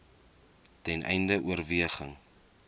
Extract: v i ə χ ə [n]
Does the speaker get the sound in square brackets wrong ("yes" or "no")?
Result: yes